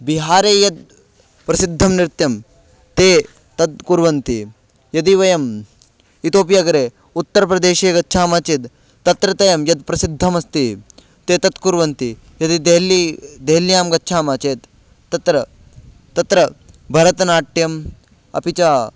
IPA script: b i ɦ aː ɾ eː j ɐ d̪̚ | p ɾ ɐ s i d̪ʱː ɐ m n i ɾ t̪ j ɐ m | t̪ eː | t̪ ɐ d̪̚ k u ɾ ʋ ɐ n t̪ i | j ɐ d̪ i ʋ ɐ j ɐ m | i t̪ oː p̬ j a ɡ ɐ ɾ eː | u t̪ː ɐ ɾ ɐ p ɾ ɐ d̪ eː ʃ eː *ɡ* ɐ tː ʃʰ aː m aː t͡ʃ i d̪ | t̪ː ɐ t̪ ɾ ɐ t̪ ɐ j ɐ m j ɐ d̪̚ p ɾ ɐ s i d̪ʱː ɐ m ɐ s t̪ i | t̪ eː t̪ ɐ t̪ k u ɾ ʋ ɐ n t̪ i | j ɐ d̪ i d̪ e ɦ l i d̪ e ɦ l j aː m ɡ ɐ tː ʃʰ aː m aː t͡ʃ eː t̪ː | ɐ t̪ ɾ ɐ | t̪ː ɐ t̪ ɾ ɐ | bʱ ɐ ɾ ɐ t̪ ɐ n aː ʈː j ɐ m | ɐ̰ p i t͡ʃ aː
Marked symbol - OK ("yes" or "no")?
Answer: yes